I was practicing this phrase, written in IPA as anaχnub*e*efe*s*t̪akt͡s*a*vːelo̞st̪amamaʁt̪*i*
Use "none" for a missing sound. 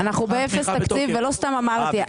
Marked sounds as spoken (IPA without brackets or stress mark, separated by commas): e, s, i, i